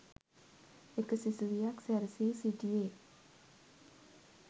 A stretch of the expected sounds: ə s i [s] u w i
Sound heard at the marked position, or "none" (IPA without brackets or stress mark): s